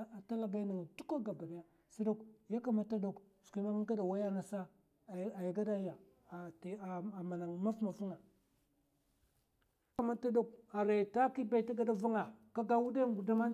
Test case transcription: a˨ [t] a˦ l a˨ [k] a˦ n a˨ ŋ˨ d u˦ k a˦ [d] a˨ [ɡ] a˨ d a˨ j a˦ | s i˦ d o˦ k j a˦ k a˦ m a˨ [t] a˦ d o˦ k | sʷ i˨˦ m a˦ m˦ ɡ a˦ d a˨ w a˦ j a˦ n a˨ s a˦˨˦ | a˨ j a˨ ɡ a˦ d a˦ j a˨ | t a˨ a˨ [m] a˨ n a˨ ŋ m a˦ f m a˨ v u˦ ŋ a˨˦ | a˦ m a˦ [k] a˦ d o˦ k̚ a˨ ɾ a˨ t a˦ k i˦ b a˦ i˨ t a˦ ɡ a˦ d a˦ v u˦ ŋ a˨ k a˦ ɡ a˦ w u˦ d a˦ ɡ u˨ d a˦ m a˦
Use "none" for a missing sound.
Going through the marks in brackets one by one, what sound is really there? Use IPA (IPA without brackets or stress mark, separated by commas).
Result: t, ɡ, ɡ, b, t, m, t